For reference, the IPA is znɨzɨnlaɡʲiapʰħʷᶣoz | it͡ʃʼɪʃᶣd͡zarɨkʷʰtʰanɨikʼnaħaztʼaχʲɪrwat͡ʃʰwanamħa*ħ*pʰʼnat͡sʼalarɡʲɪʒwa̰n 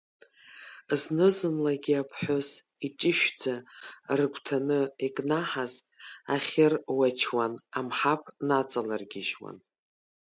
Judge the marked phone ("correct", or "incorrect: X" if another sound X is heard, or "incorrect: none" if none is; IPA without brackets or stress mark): incorrect: none